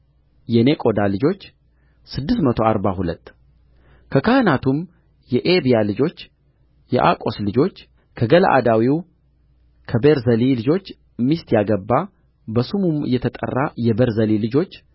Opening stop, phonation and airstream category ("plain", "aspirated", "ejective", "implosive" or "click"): ejective